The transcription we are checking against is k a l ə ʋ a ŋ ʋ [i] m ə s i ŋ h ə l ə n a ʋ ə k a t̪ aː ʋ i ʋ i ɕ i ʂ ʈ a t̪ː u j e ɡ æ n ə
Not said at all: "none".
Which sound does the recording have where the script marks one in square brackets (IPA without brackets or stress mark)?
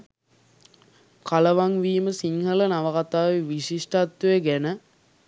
iː